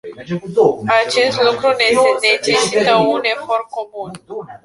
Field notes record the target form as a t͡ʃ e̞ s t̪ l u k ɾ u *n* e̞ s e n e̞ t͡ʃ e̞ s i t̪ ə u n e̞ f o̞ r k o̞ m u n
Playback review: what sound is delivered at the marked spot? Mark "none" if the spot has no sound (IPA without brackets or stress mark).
n